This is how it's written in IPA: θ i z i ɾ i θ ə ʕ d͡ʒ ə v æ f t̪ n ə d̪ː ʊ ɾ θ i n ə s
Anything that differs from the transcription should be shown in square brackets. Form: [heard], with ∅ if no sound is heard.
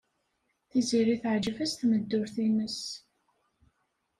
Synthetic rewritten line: θ i z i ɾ i θ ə ʕ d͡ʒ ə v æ [s] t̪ [m] ə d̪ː ʊ ɾ θ i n ə s

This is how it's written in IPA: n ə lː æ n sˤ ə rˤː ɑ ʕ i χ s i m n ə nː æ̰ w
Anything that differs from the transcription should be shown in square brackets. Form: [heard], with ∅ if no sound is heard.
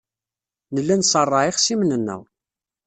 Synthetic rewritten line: n ə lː æ n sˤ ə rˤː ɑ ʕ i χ s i m n ə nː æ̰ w

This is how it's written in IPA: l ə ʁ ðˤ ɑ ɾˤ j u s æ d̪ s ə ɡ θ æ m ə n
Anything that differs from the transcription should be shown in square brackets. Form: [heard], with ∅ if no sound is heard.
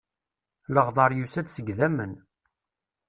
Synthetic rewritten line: l ə ʁ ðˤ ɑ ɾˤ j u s æ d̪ s ə ɡ [ð] æ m ə n

